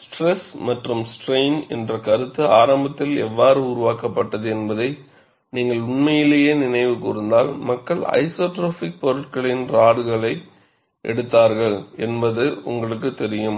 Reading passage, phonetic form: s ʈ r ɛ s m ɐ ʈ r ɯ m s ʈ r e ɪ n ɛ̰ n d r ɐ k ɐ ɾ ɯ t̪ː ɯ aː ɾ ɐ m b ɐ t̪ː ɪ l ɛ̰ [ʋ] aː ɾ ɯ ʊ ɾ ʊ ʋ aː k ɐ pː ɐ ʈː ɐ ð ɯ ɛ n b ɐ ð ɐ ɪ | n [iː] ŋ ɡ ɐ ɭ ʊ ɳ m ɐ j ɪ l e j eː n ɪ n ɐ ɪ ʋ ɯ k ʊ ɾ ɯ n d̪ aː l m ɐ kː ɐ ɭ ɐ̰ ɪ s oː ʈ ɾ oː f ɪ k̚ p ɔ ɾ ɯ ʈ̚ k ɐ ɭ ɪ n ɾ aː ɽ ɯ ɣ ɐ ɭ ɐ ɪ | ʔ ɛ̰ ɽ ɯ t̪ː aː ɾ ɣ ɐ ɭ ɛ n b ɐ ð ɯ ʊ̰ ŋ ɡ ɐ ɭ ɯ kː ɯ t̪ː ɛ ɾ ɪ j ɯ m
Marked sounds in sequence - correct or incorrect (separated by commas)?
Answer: incorrect, correct